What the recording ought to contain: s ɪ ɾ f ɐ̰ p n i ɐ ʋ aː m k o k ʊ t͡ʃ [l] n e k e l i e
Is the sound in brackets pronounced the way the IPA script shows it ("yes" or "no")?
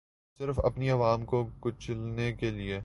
yes